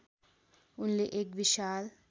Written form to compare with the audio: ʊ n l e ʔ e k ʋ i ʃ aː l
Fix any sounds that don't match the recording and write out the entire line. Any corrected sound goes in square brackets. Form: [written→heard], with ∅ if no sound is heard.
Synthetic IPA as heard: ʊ n l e ʔ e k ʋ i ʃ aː l